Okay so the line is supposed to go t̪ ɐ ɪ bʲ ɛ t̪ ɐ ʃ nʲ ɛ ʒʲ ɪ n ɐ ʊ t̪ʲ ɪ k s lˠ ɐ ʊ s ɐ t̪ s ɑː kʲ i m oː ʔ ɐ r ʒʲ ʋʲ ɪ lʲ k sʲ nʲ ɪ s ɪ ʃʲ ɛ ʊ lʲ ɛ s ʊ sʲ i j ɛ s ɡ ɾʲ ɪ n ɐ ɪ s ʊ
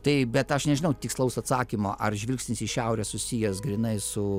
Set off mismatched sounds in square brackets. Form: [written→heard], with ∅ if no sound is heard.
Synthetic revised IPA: t̪ ɐ ɪ bʲ ɛ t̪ ɐ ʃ nʲ ɛ ʒʲ ɪ n ɐ ʊ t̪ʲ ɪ k s lˠ ɐ ʊ s ɐ t̪ s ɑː kʲ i m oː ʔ ɐ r ʒʲ ʋʲ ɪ lʲ k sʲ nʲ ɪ s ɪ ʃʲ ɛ ʊ [lʲ→ɾʲ] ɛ s ʊ sʲ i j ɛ s ɡ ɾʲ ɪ n ɐ ɪ s ʊ